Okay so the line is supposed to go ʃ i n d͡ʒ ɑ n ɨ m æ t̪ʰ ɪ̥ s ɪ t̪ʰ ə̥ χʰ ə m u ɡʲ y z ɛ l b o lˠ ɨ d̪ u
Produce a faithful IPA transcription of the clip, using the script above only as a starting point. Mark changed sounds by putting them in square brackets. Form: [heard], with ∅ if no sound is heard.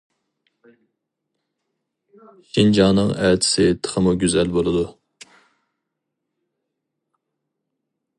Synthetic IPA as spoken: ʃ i n d͡ʒ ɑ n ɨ [ŋ] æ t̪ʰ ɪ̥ s ɪ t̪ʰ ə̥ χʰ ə m u ɡʲ y z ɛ l b o lˠ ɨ d̪ u